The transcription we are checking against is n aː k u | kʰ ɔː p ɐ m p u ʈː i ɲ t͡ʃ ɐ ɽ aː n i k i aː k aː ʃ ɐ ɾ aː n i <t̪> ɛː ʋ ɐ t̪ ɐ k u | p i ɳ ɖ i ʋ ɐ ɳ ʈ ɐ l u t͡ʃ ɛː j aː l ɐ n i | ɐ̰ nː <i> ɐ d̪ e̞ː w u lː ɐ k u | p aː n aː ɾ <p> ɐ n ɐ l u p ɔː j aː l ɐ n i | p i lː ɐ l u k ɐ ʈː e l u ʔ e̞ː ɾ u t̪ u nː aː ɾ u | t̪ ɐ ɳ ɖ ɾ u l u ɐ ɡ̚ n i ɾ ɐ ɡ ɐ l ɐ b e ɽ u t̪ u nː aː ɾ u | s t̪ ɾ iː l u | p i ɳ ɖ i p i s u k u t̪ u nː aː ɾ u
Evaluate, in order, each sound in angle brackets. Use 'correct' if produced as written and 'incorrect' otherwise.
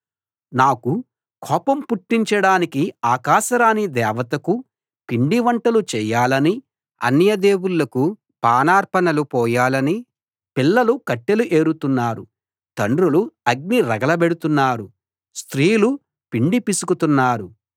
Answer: incorrect: d̪, incorrect: j, correct

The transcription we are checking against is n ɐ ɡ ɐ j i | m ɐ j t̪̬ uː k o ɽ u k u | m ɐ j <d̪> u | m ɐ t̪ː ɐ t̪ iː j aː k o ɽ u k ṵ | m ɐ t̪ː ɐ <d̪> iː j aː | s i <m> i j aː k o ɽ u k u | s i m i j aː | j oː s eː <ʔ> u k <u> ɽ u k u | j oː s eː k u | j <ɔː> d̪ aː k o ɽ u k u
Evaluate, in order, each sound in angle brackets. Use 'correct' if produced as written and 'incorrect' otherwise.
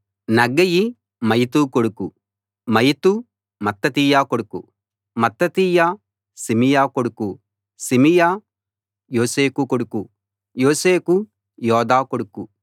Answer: incorrect: t̪, incorrect: t̪, correct, incorrect: k, incorrect: o, correct

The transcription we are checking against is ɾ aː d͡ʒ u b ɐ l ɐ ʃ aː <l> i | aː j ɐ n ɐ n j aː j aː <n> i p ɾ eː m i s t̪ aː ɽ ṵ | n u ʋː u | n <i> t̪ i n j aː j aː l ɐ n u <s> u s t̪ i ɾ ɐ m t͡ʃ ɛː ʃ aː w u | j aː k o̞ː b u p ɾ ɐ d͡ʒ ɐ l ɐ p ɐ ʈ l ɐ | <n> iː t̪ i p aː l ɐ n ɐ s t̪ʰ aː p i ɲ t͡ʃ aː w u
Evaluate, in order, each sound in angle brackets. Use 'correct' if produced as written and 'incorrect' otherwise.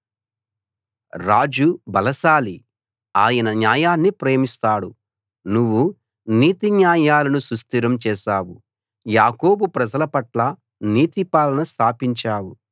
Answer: correct, incorrect: nː, incorrect: iː, correct, correct

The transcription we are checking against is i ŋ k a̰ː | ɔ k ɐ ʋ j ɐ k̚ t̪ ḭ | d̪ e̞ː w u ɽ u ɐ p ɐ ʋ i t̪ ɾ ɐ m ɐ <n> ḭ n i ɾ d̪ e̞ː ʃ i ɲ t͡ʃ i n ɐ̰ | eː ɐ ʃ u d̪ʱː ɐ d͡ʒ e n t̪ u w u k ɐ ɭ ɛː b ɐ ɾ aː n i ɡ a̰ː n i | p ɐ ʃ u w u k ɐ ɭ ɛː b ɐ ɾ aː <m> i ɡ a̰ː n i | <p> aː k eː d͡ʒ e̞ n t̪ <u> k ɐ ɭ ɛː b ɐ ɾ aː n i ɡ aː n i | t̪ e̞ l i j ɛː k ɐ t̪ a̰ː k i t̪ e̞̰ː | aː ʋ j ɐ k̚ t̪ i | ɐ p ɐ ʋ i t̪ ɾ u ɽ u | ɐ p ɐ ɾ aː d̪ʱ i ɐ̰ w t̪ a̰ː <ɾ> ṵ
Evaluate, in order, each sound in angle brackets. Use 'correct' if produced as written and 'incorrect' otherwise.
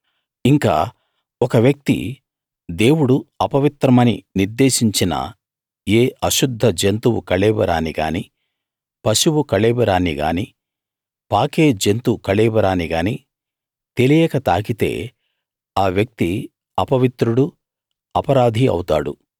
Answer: correct, incorrect: n, correct, correct, incorrect: ɽ

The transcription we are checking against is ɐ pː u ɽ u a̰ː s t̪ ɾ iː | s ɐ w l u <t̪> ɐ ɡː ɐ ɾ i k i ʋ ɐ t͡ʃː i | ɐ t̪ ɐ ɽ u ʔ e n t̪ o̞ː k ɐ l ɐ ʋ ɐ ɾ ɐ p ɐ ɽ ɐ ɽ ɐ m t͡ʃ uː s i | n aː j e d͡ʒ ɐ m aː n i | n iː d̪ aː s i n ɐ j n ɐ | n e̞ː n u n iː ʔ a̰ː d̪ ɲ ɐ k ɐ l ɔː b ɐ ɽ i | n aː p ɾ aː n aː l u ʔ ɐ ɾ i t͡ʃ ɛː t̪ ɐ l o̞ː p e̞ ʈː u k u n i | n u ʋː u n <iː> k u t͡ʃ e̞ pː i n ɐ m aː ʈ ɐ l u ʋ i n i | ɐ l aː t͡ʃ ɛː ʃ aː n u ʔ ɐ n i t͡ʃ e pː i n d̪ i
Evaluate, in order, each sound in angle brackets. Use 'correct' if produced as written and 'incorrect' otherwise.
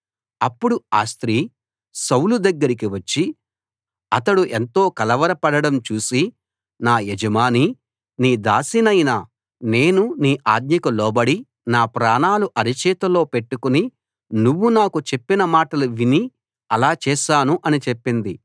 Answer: incorrect: d̪, incorrect: aː

